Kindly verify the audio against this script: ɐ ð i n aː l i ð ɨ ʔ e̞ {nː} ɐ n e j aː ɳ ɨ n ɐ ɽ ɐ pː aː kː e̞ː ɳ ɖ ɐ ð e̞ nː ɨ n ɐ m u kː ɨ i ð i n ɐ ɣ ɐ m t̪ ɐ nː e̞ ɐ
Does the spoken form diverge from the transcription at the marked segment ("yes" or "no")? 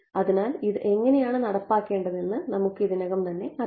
yes